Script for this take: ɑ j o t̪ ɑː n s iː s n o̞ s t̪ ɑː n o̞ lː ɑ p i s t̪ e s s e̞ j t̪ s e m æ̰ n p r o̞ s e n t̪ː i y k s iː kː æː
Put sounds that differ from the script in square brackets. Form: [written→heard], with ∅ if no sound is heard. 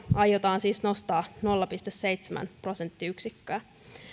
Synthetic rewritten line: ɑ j o t̪ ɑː n s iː s n o̞ s t̪ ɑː n o̞ lː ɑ p i s t̪ e s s e̞ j t̪ s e m æ̰ n p r o̞ s e n t̪ː i y k s [iː→i] kː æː